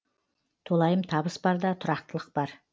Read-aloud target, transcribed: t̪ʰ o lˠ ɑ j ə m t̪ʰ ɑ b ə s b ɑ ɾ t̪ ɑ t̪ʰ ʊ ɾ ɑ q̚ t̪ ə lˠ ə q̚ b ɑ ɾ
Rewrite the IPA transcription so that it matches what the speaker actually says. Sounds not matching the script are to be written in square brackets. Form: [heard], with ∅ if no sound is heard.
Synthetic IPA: t̪ʰ o lˠ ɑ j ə m t̪ʰ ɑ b ə s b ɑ ɾ [d̪] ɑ t̪ʰ ʊ ɾ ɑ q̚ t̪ ə lˠ ə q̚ b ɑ ɾ